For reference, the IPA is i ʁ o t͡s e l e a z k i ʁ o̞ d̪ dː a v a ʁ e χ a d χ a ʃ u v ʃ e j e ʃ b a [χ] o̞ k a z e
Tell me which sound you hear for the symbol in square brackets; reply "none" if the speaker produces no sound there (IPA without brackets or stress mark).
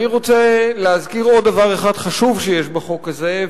χ